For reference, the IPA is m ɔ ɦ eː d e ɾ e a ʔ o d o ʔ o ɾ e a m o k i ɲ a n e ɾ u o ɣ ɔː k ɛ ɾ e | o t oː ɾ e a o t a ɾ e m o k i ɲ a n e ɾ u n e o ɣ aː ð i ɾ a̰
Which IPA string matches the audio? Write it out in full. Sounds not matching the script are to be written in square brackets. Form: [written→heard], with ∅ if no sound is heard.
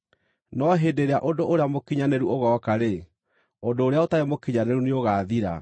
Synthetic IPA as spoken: [m→n] ɔ ɦ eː d e ɾ e a ʔ o d o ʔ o ɾ e a m o k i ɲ a n e ɾ u o ɣ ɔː k [ɛ→a] ɾ e | o [t→d] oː ɾ e a o t a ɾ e m o k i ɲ a n e ɾ u n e o ɣ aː ð i ɾ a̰